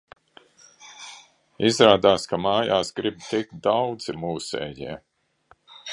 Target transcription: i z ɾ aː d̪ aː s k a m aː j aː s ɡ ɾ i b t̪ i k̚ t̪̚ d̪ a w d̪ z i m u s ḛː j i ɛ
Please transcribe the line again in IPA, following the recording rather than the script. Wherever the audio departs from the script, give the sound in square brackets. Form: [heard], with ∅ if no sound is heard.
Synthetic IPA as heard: i z ɾ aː d̪ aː s k a m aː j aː s ɡ ɾ i b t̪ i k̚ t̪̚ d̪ a w d̪ z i m [uː] s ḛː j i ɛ